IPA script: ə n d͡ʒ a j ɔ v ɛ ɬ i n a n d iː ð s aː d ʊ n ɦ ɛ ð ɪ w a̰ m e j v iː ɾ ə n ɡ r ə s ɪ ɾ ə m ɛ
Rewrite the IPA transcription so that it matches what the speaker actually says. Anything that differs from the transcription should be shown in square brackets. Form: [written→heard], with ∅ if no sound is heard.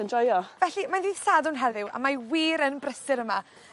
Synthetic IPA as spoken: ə n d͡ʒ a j ɔ v ɛ ɬ i [n→m] a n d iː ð s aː d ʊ n ɦ ɛ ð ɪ w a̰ m [e→a] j [v→w] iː ɾ ə n [ɡ→b] r ə s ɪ ɾ ə m [ɛ→a]